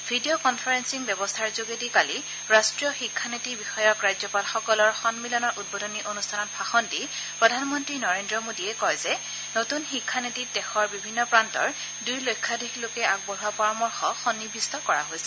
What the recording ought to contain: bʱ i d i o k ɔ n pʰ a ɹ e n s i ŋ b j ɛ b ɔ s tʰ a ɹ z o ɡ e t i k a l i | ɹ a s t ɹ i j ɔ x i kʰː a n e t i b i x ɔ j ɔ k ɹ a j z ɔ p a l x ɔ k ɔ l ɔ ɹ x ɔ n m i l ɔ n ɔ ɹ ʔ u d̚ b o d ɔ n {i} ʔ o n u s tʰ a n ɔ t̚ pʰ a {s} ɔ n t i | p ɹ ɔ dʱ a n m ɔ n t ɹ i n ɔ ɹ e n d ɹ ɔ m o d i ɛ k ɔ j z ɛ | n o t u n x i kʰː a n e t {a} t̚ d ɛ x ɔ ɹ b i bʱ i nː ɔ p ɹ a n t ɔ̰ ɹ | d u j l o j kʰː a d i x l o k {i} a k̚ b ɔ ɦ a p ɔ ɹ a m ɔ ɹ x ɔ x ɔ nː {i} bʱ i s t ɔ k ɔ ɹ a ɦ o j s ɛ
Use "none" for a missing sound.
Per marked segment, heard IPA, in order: i, x, i, ɛ, i

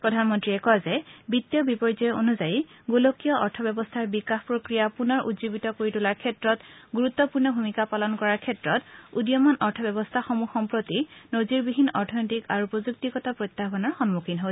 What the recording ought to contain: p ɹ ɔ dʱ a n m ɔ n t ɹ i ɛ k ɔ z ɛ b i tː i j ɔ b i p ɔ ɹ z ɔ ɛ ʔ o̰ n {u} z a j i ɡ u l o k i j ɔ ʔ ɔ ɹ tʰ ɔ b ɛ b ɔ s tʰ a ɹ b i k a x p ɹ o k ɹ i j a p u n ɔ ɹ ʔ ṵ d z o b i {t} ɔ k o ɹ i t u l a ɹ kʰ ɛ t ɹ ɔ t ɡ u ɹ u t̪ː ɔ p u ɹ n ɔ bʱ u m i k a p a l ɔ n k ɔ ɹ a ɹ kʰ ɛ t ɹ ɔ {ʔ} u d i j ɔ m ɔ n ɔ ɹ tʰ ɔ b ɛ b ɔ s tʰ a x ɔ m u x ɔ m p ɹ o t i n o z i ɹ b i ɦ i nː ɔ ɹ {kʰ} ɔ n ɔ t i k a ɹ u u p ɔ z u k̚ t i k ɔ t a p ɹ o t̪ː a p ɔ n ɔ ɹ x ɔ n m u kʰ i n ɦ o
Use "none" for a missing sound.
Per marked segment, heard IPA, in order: u, t, t, tʰ

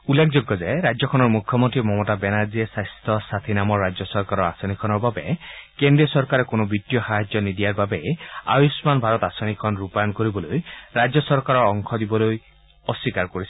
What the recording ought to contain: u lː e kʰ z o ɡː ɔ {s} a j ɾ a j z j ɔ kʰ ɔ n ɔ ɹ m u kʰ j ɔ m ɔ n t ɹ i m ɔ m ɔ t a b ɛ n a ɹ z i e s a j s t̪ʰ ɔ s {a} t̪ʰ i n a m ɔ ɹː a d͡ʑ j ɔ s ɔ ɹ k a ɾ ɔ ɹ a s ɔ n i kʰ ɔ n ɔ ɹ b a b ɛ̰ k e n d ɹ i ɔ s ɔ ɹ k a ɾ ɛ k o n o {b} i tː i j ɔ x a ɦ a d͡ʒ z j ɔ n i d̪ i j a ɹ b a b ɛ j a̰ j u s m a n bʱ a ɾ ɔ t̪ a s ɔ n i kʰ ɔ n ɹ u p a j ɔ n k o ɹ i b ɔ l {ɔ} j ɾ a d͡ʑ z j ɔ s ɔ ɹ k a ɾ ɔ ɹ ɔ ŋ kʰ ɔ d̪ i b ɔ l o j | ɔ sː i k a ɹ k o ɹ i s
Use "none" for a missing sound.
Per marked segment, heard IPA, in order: z, a, b, o

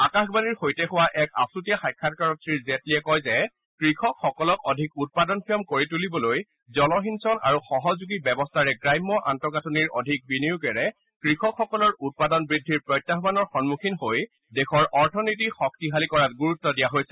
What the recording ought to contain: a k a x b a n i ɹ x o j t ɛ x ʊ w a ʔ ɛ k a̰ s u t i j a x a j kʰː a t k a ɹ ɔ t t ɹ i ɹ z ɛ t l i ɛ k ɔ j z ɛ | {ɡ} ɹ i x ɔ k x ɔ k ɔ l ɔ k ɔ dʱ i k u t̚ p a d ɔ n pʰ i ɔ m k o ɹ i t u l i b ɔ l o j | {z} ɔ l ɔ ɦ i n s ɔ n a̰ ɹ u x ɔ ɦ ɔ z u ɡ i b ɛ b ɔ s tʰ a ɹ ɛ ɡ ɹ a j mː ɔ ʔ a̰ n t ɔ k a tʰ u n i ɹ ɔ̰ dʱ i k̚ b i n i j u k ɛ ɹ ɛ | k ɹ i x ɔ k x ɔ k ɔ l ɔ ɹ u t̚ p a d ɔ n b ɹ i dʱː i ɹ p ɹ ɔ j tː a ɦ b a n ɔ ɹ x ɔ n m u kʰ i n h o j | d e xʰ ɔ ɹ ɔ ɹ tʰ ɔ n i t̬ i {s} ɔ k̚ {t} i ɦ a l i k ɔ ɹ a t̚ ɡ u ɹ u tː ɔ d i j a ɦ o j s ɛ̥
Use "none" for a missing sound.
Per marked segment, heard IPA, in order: k, z, x, t

